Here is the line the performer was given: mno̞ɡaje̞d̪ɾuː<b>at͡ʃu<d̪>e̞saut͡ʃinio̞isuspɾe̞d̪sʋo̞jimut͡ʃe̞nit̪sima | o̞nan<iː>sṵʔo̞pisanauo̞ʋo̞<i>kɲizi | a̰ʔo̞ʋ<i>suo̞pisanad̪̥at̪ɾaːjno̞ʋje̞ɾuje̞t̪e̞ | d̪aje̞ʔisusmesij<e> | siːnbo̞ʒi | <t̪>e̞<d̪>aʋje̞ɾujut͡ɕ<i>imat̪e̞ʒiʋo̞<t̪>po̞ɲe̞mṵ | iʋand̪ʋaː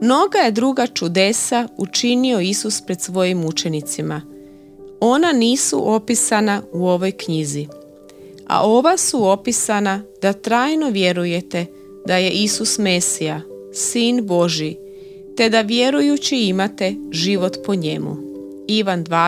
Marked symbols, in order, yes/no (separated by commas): no, yes, yes, no, no, no, yes, yes, yes, yes